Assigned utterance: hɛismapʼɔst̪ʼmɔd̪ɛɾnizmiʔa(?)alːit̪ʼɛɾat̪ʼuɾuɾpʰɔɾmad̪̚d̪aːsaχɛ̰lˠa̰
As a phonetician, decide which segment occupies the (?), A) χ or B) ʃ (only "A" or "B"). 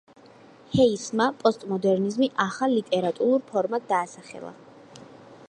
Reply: A